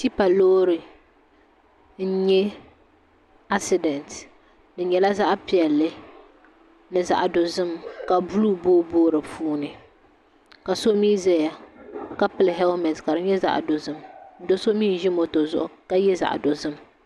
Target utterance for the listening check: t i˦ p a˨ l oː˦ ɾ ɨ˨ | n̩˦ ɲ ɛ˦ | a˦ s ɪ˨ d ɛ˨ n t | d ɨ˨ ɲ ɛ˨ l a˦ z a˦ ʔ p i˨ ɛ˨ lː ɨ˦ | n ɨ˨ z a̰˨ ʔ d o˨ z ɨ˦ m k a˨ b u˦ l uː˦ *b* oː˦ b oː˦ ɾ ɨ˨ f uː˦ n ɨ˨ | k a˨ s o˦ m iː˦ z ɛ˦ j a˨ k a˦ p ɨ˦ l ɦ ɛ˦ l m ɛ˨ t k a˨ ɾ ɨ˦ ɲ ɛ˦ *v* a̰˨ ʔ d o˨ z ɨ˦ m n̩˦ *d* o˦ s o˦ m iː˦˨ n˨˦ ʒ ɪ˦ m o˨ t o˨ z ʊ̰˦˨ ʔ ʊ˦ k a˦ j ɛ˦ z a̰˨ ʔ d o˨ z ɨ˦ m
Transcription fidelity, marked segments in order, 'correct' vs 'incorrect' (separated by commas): correct, incorrect, correct